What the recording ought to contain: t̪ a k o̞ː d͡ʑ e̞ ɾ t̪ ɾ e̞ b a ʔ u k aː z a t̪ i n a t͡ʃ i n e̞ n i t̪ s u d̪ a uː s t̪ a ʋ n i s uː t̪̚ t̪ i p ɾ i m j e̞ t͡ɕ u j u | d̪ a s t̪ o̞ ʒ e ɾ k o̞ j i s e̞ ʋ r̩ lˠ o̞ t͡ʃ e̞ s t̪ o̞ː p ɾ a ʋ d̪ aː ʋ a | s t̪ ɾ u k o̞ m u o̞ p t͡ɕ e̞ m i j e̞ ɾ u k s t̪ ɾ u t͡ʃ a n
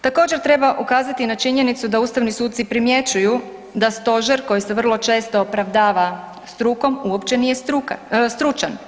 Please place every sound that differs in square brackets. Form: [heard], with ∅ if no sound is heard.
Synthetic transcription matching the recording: t̪ a k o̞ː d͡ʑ e̞ ɾ t̪ ɾ e̞ b a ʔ u k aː z a t̪ i n a t͡ʃ i [ɲ] e̞ n i t̪ s u d̪ a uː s t̪ a ʋ n i s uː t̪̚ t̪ i p ɾ i m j e̞ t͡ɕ u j u | d̪ a s t̪ o̞ ʒ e ɾ k o̞ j i s e̞ ʋ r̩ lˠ o̞ t͡ʃ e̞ s t̪ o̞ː p ɾ a ʋ d̪ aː ʋ a | s t̪ ɾ u k o̞ m u o̞ p t͡ɕ e̞ [n] i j e̞ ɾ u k s t̪ ɾ u t͡ʃ a n